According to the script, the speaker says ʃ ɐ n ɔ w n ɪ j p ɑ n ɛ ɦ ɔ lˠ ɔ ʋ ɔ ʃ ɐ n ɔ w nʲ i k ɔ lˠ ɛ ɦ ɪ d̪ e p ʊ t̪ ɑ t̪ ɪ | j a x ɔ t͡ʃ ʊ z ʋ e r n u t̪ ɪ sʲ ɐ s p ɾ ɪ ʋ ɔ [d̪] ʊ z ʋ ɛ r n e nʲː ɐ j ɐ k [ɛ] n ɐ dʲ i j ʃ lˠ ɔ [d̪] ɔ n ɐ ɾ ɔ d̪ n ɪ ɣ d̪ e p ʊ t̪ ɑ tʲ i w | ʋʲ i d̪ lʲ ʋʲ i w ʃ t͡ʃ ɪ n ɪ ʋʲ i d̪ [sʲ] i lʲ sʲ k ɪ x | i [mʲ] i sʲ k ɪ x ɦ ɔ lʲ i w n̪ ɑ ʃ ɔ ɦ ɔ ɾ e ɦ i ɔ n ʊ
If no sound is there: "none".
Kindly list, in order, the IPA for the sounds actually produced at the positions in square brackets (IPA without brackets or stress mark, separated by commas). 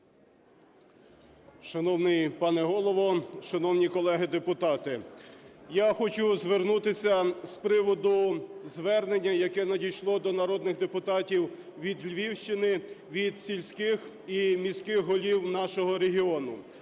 d̪, ɛ, d̪, sʲ, mʲ